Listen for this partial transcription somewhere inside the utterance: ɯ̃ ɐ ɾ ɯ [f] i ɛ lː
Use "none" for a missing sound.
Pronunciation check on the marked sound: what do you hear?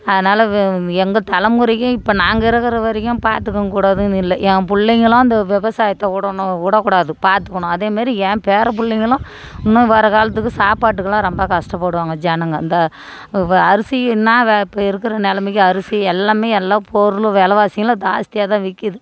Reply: s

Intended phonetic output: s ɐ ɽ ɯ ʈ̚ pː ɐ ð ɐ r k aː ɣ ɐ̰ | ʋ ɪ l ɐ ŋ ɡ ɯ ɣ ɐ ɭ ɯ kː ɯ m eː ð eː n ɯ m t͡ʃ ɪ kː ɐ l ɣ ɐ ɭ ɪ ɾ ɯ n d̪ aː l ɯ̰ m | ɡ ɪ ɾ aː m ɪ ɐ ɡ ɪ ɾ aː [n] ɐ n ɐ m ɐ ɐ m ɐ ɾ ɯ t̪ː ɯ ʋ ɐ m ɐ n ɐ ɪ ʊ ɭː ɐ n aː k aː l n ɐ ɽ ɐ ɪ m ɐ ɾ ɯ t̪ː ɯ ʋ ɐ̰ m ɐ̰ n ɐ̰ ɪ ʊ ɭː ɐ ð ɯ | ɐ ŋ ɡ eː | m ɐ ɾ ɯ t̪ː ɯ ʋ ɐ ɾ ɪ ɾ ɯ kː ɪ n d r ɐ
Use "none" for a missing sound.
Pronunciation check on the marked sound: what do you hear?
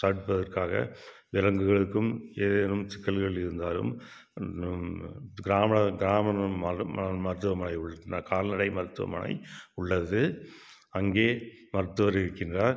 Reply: m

